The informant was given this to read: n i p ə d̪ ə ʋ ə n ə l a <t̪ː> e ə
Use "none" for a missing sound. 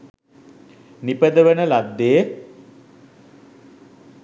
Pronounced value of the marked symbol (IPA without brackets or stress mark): d̪ː